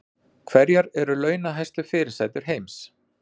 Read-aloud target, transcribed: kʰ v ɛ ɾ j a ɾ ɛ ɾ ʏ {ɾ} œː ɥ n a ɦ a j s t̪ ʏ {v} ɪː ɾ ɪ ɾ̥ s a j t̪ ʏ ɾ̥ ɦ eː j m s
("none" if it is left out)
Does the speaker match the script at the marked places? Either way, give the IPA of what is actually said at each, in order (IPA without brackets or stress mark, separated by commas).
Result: l, f